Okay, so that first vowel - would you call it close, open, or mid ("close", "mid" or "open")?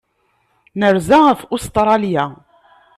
mid